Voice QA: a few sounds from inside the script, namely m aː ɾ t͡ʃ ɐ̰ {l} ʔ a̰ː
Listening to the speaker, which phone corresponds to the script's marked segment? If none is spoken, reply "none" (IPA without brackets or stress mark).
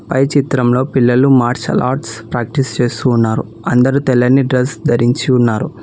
l